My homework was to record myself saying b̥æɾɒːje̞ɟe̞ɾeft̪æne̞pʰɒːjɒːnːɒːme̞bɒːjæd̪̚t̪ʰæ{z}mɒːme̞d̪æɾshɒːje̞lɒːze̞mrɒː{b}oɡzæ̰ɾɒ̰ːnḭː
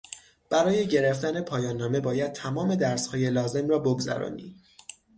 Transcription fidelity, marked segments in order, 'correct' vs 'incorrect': incorrect: none, correct

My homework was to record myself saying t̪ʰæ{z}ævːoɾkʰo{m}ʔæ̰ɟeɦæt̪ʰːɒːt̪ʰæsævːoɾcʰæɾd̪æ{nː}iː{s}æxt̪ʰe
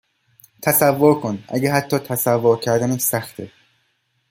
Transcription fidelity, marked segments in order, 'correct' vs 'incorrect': incorrect: s, incorrect: n, incorrect: n, correct

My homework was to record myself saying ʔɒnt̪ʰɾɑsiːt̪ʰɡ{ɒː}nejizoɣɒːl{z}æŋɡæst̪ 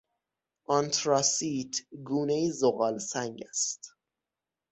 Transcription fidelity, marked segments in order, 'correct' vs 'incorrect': incorrect: uː, incorrect: s

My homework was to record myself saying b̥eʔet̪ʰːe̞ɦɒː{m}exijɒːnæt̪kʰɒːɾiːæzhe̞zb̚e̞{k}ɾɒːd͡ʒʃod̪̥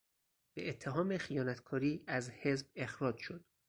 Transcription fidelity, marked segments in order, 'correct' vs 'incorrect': correct, incorrect: x

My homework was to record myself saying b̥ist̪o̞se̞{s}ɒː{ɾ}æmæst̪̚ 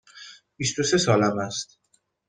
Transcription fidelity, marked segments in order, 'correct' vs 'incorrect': correct, incorrect: l

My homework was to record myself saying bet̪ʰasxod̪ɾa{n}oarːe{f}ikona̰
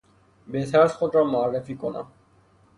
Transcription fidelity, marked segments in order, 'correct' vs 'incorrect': incorrect: m, correct

